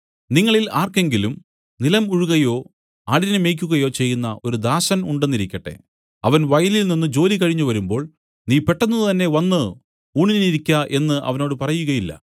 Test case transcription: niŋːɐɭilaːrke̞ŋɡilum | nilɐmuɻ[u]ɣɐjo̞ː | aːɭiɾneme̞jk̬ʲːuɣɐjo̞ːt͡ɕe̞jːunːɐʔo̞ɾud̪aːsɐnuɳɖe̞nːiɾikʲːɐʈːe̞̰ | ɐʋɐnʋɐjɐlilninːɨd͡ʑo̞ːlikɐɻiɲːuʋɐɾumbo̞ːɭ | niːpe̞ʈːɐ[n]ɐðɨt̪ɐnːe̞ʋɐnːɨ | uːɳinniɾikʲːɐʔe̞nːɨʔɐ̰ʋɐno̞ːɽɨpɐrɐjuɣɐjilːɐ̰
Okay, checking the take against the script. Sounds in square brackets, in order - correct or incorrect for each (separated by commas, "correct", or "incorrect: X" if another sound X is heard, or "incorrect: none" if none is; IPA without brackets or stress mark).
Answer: correct, incorrect: nː